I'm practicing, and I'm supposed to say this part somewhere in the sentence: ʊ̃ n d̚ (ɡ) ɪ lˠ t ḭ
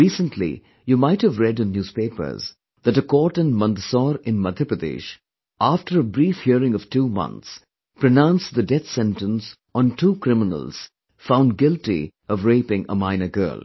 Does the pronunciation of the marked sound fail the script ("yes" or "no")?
no